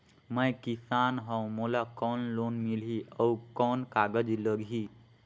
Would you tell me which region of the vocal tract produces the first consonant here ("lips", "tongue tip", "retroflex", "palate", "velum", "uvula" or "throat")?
lips